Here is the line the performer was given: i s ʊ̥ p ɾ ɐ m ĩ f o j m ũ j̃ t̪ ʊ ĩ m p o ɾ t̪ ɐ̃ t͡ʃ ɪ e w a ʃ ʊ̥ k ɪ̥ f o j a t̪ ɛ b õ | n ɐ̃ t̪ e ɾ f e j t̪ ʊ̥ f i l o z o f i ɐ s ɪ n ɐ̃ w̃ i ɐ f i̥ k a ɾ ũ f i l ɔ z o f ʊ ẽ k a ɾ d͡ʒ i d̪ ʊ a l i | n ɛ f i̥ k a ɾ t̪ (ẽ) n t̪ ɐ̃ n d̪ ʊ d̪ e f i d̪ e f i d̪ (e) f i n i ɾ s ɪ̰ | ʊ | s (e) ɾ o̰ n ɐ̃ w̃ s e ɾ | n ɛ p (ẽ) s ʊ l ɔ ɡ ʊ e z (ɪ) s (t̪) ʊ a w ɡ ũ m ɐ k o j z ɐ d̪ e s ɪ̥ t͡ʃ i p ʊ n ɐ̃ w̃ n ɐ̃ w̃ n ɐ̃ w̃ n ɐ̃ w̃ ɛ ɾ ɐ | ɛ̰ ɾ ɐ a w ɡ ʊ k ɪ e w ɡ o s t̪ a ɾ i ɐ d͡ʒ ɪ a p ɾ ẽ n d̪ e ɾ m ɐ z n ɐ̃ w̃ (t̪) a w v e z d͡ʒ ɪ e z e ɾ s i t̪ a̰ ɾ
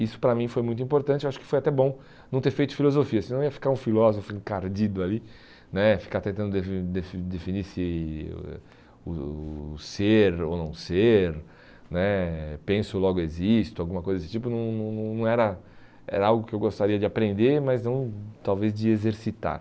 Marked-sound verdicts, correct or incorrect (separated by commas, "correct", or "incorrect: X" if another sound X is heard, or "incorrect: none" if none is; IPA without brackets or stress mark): correct, correct, correct, correct, incorrect: i, correct, correct